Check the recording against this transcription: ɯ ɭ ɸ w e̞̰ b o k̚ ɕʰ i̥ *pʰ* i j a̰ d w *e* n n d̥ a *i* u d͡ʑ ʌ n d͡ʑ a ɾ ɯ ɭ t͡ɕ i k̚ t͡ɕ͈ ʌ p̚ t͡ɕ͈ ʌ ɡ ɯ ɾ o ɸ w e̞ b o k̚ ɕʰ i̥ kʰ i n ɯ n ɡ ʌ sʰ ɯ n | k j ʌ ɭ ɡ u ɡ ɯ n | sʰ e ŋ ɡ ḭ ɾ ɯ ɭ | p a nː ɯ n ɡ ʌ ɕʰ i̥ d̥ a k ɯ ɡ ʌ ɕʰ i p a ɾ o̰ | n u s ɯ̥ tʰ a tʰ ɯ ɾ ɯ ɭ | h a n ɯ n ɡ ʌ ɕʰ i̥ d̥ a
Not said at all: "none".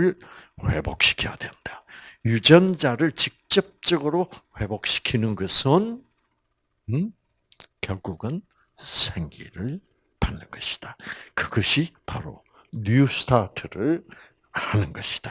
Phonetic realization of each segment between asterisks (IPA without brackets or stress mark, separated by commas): kʰ, e, j